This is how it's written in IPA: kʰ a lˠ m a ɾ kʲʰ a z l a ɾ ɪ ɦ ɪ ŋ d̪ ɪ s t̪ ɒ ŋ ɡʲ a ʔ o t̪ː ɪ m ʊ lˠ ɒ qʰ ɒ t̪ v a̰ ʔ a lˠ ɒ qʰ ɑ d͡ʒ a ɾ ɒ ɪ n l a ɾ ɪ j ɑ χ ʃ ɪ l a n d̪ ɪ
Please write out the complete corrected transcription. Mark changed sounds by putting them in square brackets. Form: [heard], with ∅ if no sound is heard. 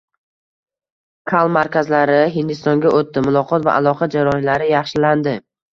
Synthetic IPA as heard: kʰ a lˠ m a ɾ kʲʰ a z l a ɾ ɪ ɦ ɪ [n] d̪ ɪ s t̪ ɒ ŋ ɡʲ a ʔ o t̪ː ɪ m ʊ lˠ ɒ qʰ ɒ t̪ v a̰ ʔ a lˠ ɒ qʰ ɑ d͡ʒ a ɾ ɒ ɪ n l a ɾ ɪ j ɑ χ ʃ ɪ l a n d̪ ɪ